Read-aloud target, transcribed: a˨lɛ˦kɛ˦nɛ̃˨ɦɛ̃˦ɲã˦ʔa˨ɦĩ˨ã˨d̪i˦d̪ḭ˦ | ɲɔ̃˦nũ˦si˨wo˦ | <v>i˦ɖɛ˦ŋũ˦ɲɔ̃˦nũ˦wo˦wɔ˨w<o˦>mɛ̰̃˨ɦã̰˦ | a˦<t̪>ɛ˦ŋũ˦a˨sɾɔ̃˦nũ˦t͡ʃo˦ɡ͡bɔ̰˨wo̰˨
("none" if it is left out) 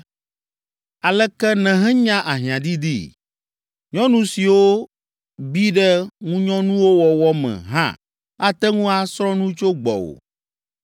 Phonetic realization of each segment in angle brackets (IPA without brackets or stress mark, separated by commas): b, ɔ˦, t̪